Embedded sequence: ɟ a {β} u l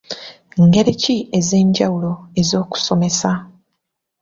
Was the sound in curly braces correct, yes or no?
no